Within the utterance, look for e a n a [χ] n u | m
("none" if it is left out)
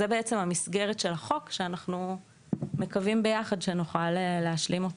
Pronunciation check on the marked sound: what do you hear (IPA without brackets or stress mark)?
χ